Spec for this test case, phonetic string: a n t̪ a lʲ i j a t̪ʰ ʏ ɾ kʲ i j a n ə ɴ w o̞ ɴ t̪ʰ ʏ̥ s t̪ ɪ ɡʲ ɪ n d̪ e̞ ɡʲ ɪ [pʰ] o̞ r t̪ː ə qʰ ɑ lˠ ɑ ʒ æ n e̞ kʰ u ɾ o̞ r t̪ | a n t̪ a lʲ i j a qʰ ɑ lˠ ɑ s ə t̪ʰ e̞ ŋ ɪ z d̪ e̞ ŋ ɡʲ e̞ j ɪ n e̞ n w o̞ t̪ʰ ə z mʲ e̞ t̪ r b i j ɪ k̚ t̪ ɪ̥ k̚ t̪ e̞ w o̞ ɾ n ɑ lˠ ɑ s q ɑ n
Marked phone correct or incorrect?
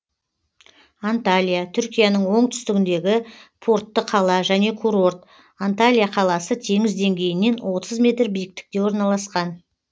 correct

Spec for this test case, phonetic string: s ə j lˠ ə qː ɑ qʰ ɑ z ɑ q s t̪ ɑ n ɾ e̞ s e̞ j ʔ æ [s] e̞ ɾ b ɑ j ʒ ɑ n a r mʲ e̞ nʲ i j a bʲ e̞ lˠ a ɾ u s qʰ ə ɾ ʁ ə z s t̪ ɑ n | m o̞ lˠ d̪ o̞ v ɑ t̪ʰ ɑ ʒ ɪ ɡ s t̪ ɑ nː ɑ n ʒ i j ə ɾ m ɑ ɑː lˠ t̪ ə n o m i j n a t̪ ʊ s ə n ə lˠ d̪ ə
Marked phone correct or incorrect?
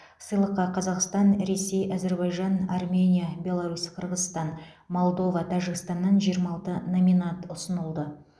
incorrect: z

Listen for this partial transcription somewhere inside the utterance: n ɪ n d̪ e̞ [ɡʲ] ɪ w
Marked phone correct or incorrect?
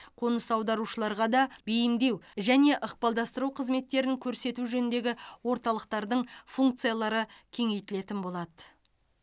correct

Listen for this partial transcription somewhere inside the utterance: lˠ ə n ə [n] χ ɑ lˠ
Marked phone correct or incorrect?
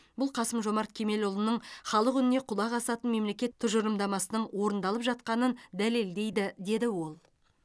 incorrect: ɴ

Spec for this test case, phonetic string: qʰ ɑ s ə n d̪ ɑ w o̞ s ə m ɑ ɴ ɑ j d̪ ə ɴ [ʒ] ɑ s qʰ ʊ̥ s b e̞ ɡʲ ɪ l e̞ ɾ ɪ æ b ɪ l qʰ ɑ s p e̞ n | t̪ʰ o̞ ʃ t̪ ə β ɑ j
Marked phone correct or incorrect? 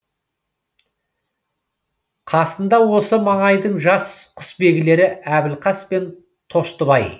correct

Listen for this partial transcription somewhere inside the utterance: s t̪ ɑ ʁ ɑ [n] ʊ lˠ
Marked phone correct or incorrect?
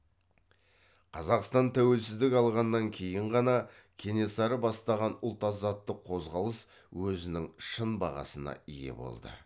correct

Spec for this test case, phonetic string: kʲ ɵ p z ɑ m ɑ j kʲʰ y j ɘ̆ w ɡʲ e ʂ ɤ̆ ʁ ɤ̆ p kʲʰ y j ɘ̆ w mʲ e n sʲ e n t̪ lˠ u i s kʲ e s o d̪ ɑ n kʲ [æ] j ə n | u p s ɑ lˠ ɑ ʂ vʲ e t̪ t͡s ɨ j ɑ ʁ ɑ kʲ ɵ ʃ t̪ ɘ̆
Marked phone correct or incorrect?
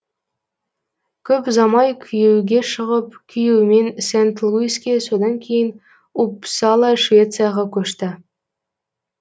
incorrect: e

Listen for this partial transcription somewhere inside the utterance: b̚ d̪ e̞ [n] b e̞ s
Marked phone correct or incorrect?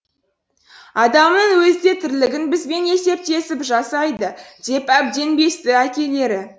correct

